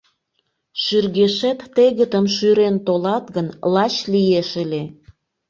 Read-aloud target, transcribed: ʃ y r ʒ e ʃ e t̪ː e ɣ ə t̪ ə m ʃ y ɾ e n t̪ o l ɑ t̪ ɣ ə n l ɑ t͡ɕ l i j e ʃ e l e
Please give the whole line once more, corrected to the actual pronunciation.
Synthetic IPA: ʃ y r ɣ e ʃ e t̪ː e ɣ ə t̪ ə m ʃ y ɾ e n t̪ o l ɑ t̪ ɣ ə n l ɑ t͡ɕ l i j e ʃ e l e